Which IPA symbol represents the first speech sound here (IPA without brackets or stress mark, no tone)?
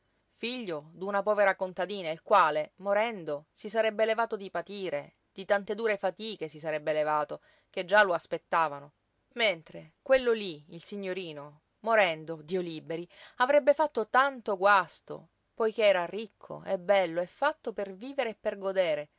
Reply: f